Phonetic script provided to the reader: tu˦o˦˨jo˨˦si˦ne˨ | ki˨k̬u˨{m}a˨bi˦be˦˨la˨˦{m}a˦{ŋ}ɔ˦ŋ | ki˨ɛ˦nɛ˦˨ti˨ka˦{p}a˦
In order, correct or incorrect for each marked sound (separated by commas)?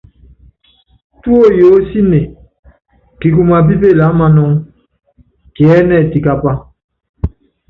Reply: correct, correct, incorrect, correct